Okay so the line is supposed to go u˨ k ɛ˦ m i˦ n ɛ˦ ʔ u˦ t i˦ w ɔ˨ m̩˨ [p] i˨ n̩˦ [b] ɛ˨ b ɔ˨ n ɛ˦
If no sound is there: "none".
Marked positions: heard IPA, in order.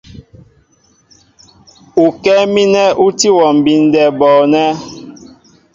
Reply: b, d

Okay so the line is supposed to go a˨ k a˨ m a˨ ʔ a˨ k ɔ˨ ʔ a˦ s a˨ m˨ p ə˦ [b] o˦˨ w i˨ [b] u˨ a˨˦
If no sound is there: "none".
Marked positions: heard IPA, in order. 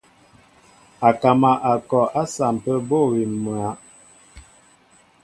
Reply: b, m

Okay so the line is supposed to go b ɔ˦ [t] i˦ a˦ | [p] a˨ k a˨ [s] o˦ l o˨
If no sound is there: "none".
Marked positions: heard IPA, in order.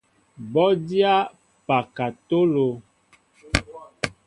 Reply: d, p, t

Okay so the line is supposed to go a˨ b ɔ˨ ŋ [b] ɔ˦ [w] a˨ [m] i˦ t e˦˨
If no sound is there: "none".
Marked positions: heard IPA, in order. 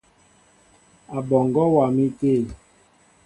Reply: ɡ, w, m

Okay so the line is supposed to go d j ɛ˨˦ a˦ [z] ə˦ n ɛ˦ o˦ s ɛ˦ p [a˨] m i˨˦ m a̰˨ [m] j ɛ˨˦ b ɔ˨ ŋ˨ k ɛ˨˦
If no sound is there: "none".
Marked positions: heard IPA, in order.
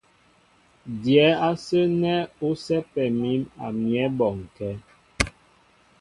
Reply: s, ɛ˨, m

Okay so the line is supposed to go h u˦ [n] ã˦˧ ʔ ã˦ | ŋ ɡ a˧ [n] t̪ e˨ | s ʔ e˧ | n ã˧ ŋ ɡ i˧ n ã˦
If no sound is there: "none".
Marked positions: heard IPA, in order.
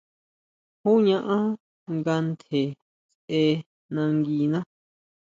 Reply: ɲ, n

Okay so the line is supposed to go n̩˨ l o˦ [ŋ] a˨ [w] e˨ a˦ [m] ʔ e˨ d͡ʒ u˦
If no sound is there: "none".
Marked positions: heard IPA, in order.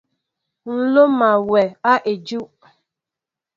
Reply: m, w, none

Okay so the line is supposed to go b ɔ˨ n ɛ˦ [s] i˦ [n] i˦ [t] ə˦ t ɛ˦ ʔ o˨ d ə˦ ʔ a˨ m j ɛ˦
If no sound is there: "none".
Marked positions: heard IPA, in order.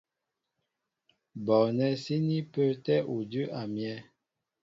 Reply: s, n, p

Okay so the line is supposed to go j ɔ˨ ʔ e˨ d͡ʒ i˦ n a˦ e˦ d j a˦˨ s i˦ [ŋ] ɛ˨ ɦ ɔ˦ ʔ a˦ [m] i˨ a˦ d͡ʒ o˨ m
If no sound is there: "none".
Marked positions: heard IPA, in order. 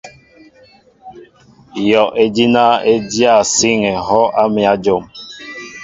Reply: ŋ, m

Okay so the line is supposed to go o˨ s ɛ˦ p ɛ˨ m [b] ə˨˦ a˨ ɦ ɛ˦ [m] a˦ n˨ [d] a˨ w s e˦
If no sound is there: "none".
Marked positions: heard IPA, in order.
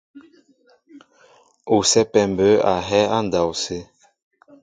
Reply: b, none, d

